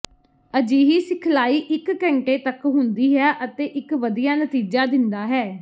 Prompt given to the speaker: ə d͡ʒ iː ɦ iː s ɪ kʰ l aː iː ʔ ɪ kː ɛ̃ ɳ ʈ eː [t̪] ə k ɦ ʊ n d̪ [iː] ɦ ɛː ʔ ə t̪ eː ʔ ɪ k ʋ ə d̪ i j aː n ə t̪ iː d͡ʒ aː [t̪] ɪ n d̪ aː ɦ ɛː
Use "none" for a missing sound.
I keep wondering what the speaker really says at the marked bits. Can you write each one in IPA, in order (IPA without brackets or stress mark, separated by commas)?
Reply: t̪, iː, d̪